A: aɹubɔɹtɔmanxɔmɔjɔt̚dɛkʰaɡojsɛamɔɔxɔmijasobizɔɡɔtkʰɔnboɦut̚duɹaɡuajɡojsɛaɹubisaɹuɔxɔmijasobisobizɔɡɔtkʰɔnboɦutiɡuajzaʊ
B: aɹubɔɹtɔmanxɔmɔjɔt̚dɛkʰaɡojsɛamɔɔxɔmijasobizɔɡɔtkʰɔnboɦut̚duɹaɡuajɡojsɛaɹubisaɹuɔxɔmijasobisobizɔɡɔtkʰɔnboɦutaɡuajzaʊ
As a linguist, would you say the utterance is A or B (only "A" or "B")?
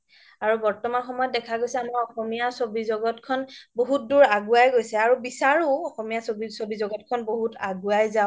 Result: B